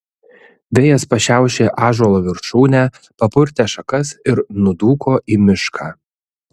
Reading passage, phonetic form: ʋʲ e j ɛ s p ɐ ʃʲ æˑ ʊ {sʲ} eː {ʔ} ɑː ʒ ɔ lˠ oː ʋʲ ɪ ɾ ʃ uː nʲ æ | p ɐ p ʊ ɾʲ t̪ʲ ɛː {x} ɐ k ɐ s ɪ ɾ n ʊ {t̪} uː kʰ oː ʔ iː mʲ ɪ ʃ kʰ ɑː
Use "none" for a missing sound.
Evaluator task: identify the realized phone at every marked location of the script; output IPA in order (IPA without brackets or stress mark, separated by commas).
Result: ʃʲ, ʔ, ʃ, d̪